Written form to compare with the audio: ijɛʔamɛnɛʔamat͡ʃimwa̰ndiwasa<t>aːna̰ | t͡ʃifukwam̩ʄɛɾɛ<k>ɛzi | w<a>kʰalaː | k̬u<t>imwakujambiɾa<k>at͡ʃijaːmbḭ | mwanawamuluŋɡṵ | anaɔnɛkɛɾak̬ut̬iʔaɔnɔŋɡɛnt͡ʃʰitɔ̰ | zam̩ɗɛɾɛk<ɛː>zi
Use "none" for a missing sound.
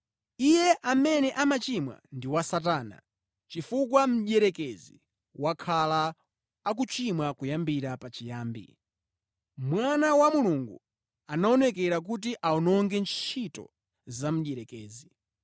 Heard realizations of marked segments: t, k, a, t͡ʃ, p, ɛː

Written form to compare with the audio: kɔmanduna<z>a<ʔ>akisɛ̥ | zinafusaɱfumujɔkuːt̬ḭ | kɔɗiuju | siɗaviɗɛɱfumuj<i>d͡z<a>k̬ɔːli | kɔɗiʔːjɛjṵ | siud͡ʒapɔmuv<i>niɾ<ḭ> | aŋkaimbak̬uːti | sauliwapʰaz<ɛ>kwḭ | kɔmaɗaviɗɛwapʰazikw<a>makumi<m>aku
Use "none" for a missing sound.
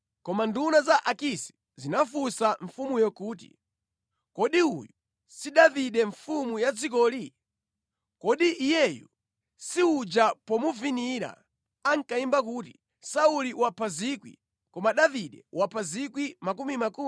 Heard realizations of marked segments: z, ʔ, a, i, i, a̰, i, i, m

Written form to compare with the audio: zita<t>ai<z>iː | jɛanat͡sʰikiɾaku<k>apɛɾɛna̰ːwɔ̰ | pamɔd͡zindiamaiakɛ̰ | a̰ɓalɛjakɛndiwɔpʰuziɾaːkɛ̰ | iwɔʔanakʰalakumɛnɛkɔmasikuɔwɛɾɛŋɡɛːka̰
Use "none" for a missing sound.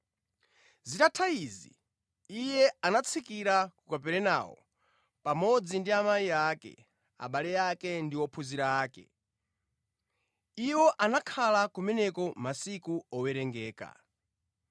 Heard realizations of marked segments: tʰ, z, k

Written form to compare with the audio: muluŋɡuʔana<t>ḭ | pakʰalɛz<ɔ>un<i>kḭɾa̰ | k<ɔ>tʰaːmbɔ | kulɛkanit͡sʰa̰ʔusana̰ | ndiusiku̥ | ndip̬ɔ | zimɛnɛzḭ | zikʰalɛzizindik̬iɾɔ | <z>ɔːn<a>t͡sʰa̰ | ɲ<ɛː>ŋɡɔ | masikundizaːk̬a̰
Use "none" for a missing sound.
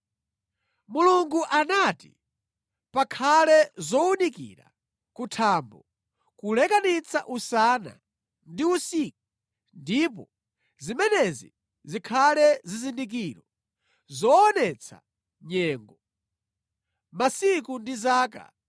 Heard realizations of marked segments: t, ɔ, i, u, z, ɛ, ɛː

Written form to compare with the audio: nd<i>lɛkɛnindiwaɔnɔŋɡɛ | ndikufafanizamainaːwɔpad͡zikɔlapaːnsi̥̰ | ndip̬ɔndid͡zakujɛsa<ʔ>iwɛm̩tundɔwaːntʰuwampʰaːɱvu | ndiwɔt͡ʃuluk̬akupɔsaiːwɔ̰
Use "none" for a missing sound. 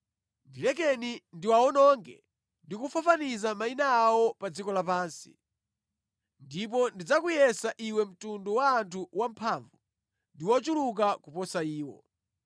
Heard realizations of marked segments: i, ʔ

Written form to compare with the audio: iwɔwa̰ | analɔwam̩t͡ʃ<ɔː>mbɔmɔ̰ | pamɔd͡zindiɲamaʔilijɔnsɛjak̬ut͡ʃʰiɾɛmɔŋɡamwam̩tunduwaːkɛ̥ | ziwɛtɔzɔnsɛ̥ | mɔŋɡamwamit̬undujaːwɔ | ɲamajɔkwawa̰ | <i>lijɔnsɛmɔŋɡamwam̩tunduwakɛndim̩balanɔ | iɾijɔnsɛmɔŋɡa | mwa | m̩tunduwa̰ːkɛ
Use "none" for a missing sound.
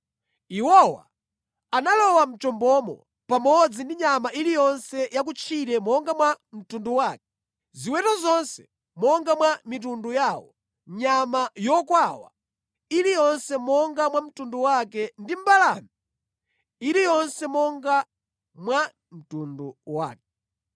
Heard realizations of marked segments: ɔ, i

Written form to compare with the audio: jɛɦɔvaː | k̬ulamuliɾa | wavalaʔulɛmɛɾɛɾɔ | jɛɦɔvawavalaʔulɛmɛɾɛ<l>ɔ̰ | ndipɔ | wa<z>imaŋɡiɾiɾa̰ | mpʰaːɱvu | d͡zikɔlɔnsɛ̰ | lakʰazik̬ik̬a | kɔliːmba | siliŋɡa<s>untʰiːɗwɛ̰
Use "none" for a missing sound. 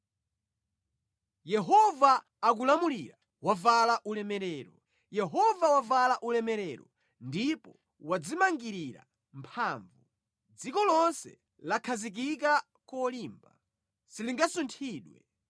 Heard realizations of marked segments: ɾ, d͡z, s

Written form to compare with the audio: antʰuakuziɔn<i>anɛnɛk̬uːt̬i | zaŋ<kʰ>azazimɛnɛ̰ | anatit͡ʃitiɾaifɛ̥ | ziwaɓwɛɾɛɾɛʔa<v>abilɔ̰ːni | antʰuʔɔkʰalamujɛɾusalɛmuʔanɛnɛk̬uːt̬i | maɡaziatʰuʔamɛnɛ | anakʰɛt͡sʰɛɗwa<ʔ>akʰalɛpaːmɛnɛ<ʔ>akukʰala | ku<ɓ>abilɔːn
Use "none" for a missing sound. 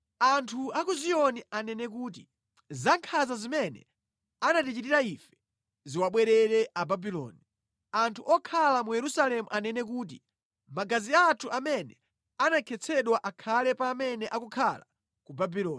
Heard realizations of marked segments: i, kʰ, b, ʔ, ʔ, b

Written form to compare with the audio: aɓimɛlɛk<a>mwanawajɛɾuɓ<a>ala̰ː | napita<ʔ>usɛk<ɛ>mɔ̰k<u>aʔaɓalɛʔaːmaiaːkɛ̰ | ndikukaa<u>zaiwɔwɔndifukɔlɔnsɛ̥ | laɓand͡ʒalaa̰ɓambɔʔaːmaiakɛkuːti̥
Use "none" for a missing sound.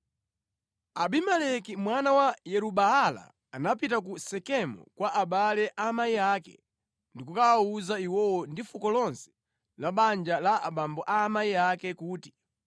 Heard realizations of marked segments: i, a, k, ɛ, w, u

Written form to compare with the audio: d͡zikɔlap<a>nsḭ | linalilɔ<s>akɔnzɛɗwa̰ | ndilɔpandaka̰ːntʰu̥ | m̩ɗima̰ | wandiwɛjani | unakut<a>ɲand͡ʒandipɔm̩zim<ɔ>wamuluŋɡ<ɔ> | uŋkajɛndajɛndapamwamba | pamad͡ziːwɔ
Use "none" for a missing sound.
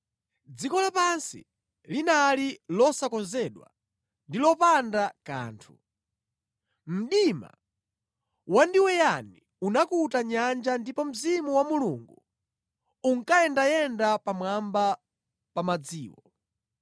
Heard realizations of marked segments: a, s, a, u, u

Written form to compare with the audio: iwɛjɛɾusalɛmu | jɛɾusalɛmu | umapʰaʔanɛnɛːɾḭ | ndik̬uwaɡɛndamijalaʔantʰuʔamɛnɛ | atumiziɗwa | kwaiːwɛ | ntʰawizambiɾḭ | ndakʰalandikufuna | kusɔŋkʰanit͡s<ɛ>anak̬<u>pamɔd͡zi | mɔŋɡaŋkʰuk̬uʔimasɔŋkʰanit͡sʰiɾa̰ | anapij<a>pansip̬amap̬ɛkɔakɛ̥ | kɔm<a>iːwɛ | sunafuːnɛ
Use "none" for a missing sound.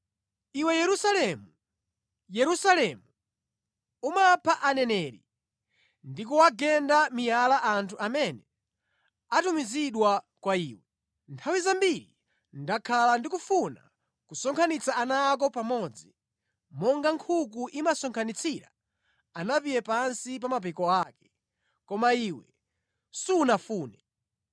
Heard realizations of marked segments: a, ɔ, ɛ, a

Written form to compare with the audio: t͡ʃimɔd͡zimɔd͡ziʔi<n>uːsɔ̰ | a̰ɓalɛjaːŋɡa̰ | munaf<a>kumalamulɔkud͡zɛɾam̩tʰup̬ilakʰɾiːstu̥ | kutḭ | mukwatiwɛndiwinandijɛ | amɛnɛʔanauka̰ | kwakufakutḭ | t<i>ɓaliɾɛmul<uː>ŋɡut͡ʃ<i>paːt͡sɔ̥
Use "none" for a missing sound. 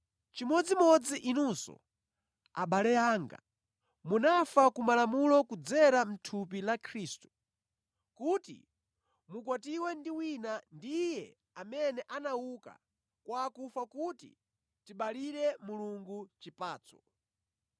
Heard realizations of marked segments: n, a, i, u, i

